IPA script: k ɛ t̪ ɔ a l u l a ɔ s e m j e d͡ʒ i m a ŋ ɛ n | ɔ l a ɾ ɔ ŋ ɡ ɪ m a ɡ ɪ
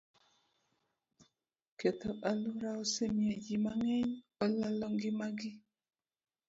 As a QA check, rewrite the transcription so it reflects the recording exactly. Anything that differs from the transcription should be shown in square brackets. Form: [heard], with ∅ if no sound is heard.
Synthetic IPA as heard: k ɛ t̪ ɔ a l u [ɾ] a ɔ s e m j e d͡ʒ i m a ŋ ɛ [ɲ] | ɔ l a [l] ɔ ŋ ɡ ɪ m a ɡ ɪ

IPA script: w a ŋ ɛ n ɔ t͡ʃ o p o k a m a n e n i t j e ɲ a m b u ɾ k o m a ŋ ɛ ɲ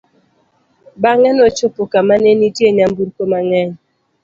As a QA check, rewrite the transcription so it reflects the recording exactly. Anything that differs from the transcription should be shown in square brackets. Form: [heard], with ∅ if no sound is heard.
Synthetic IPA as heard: [b] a ŋ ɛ n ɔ t͡ʃ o p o k a m a n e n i t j e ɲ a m b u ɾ k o m a ŋ ɛ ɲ

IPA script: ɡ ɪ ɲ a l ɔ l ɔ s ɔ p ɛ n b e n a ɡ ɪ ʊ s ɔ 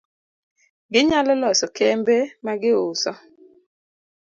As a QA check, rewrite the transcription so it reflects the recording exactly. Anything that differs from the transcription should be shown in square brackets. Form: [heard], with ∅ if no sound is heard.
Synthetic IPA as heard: ɡ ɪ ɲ a l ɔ l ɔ s ɔ [k] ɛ [m] b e [m] a ɡ ɪ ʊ s ɔ

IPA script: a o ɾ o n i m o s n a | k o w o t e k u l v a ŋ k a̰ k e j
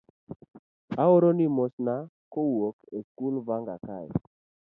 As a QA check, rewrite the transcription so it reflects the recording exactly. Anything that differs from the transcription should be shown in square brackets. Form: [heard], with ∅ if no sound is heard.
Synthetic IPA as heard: a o ɾ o n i m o s n a | k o w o [k] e k u l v a ŋ [ɡ] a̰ k [a] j

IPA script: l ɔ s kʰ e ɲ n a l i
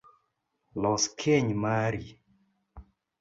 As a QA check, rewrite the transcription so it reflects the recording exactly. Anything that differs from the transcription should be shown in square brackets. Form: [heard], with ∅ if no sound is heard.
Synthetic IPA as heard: l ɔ s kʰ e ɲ [m] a [ɾ] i

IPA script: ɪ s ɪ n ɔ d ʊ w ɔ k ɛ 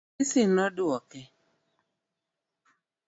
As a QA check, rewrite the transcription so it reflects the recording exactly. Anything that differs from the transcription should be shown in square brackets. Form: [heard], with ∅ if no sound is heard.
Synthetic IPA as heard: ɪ s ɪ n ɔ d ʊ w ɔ k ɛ

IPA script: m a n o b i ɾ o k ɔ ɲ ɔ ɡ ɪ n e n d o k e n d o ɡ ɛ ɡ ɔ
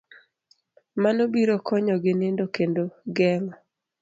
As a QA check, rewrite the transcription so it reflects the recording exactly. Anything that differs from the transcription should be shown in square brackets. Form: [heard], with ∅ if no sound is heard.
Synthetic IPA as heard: m a n o b i ɾ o k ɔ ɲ ɔ ɡ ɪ n e n d o k e n d o ɡ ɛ [ŋ] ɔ

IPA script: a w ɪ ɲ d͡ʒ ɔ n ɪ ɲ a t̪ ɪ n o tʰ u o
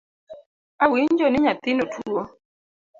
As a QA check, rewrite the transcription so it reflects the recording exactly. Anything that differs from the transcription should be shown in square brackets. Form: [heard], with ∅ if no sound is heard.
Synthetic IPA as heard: a w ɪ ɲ d͡ʒ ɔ n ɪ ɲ a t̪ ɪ n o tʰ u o

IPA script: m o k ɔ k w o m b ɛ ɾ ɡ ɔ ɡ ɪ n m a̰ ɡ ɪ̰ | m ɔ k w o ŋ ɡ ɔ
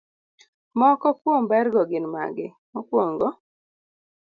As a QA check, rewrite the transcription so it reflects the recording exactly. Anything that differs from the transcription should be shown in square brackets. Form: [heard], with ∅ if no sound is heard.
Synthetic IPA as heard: m [ɔ] k ɔ k w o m b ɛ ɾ ɡ ɔ ɡ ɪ n m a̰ ɡ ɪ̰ | m ɔ k w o ŋ ɡ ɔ

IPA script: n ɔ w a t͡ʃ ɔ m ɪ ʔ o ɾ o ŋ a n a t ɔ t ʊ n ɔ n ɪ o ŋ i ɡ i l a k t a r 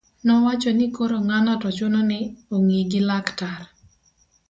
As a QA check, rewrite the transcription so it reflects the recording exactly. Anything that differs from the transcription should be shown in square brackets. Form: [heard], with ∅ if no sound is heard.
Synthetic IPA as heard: n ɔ w a t͡ʃ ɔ [n] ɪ [k] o ɾ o ŋ a n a t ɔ [t͡ʃ] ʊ n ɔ n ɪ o ŋ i ɡ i l a k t a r

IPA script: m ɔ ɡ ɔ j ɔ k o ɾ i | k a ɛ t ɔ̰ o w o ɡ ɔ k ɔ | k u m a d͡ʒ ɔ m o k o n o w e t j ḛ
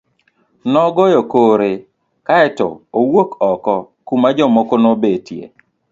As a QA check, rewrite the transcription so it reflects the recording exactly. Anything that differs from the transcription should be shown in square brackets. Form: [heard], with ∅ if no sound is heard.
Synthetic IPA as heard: [n] ɔ ɡ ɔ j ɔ k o ɾ [e] | k a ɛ t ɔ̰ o w o [k] ɔ k ɔ | k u m a d͡ʒ ɔ m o k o n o [b] e t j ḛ

